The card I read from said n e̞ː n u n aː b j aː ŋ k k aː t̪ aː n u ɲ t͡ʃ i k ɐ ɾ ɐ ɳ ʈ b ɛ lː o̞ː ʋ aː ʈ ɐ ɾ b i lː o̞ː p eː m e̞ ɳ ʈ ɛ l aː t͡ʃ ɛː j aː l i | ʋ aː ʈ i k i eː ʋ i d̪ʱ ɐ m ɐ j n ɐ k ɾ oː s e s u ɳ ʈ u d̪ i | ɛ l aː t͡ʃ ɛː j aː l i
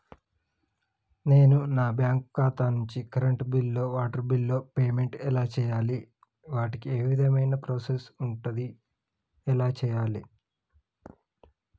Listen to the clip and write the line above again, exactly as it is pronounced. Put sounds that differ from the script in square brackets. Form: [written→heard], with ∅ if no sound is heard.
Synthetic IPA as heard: n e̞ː n u n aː b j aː ŋ k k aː t̪ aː n u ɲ t͡ʃ i k ɐ ɾ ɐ ɳ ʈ b [ɛ→i] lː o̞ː ʋ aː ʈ ɐ ɾ b i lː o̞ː p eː m e̞ ɳ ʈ ɛ l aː t͡ʃ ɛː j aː l i | ʋ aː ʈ i k i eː ʋ i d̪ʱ ɐ m ɐ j n ɐ [k→p] ɾ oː s e s u ɳ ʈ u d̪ i | ɛ l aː t͡ʃ ɛː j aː l i